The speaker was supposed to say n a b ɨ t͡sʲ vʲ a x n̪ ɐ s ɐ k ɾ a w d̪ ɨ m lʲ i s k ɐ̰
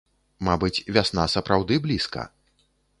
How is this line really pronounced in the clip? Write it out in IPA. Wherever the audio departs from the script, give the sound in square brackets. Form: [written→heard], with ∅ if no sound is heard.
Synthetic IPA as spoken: [n→m] a b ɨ t͡sʲ vʲ a [x→s] n̪ [ɐ→a] s ɐ [k→p] ɾ a w d̪ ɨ [m→b] lʲ i s k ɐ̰